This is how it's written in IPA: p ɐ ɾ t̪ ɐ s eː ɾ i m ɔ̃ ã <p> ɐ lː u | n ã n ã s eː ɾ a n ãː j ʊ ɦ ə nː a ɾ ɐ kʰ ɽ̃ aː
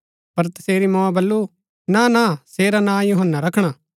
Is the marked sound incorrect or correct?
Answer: incorrect